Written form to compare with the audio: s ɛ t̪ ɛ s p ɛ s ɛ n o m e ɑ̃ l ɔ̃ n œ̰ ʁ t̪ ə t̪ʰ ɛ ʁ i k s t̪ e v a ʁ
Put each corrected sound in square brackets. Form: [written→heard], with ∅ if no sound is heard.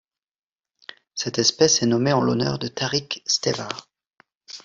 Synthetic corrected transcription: s ɛ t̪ ɛ s p ɛ s ɛ n [o→ɔ] m e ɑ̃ l [ɔ̃→ɔ] n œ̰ ʁ [t̪→d̪] ə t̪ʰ [ɛ→a] ʁ i k s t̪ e v a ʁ